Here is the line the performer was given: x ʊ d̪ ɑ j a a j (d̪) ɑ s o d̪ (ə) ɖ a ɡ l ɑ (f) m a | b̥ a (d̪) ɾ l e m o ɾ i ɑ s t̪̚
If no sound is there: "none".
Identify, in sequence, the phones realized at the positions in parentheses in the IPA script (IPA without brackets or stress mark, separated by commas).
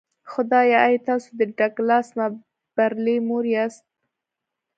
t̪, ə, s, none